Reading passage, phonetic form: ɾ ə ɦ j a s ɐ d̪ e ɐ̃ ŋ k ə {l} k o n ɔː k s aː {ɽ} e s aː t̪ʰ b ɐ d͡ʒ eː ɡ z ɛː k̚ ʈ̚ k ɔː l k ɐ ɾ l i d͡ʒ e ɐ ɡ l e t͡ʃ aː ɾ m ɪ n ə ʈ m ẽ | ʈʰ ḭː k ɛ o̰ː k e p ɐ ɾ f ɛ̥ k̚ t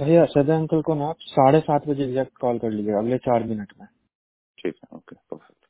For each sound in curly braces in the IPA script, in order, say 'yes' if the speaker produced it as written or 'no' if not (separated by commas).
yes, yes